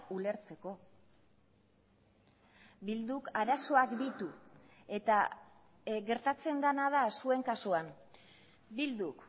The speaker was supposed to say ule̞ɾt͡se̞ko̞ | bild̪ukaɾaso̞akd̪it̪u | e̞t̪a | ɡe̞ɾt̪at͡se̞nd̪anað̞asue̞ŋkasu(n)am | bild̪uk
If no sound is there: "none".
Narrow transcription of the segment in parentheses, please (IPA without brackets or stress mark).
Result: none